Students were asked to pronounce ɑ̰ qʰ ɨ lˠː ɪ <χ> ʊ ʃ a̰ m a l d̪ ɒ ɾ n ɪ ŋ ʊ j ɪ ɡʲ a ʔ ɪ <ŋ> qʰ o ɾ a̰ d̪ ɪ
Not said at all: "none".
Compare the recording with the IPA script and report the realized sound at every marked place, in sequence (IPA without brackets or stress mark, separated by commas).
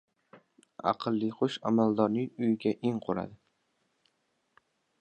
χ, ŋ